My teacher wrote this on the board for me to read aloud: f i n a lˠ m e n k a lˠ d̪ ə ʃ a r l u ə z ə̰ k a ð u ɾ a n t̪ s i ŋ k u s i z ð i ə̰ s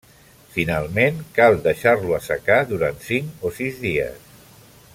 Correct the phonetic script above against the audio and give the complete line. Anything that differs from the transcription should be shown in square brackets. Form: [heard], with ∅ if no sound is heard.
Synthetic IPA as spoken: f i n a lˠ m e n k a lˠ d̪ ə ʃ a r l u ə [s] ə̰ k a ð u ɾ a n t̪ s i ŋ k [o] s i z ð i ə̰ s